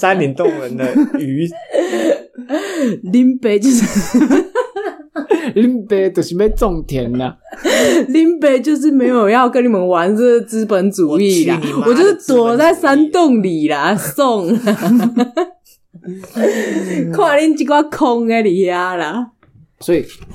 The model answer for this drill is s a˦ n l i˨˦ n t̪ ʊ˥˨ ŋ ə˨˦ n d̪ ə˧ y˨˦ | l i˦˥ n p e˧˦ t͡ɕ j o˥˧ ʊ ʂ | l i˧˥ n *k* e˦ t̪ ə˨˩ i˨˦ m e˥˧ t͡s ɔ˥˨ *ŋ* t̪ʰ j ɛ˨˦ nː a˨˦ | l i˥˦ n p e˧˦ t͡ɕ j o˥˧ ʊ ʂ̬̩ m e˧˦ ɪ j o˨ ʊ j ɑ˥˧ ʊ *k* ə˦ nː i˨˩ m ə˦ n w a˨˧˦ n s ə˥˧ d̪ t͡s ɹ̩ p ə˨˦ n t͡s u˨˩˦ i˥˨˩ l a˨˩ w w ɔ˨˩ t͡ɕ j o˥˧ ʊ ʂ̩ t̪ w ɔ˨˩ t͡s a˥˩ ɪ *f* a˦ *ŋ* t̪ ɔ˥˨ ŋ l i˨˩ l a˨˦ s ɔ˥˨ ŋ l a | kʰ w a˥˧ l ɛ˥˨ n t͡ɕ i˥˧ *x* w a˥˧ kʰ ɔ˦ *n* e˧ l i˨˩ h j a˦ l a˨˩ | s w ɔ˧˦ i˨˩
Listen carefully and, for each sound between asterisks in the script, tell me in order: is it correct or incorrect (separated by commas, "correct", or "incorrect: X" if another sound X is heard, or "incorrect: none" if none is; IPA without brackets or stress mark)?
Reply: incorrect: p, correct, correct, incorrect: s, incorrect: n, incorrect: k, incorrect: ŋ